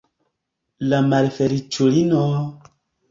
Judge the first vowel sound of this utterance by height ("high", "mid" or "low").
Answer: low